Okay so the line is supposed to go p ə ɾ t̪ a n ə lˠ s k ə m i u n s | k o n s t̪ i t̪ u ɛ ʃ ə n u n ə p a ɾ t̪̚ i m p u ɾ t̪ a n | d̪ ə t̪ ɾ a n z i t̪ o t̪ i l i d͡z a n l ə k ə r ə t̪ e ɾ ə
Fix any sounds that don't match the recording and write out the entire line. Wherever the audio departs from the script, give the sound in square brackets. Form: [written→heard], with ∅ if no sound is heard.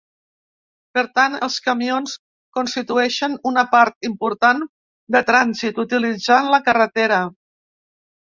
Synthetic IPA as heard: p ə ɾ t̪ a n ə lˠ s k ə m i [u→o] n s | k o n s t̪ i t̪ u ɛ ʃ ə n u n ə p a ɾ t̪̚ i m p u ɾ t̪ a n | d̪ ə t̪ ɾ a n z i t̪ [o→u] t̪ i l i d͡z a n l ə k ə r ə t̪ e ɾ ə